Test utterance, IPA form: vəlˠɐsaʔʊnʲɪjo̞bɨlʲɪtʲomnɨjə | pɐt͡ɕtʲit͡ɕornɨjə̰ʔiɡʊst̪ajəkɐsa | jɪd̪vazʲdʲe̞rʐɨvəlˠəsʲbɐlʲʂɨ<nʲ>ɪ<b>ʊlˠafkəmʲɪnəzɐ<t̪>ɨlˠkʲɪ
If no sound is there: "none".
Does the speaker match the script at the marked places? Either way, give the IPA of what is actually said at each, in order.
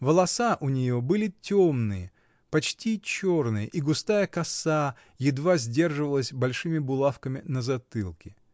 mʲ, b, t̪

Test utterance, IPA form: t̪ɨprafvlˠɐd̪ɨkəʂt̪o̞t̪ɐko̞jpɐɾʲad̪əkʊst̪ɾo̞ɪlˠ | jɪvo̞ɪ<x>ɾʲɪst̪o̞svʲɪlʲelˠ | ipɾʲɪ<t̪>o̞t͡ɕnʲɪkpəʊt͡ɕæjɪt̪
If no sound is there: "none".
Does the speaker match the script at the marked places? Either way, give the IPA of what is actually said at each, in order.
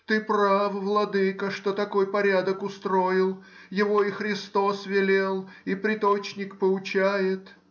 x, t̪

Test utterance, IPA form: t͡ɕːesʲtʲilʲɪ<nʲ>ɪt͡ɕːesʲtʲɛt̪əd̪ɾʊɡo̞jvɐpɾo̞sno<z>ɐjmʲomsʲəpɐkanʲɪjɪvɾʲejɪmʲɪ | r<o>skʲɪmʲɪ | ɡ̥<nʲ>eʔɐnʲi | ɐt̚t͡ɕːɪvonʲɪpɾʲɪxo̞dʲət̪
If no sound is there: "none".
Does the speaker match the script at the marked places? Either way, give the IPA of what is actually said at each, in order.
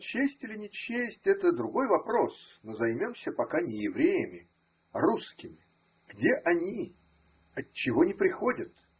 nʲ, z, u, dʲ

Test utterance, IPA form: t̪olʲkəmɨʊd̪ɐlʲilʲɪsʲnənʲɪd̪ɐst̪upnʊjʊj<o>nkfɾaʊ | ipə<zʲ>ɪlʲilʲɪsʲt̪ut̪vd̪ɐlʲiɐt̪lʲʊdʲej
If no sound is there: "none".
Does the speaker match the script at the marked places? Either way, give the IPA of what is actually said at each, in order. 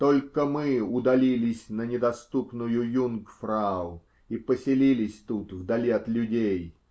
u, sʲ

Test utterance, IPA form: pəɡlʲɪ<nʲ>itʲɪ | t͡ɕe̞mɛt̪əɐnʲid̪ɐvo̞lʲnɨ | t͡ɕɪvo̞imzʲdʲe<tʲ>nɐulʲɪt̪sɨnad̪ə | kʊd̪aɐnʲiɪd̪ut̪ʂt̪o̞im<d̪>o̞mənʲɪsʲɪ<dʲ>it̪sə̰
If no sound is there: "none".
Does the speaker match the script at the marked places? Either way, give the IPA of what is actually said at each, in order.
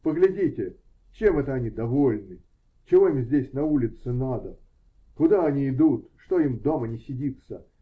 dʲ, sʲ, d̪, dʲ

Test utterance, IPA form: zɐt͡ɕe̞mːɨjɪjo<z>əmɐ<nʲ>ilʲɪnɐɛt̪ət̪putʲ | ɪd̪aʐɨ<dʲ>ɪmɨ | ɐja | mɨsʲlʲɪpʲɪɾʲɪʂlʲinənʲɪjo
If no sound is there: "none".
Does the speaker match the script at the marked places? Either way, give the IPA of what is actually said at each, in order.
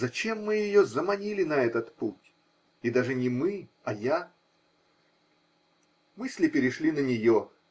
z, nʲ, nʲ

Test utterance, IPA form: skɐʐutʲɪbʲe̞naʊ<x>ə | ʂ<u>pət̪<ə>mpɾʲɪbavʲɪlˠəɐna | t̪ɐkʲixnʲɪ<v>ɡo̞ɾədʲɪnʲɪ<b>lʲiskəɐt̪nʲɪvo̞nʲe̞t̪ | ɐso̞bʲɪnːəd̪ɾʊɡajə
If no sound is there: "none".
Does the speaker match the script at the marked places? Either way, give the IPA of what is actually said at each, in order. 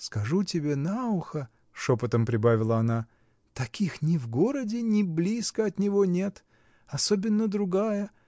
x, o, ə, v, b

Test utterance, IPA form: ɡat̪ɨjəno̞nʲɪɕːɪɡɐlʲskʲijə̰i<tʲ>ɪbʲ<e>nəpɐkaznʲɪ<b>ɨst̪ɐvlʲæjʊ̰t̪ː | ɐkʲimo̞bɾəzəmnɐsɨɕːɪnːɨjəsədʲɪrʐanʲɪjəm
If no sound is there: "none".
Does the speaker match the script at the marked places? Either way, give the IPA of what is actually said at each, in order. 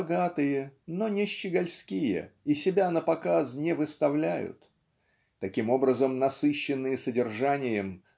sʲ, a, v

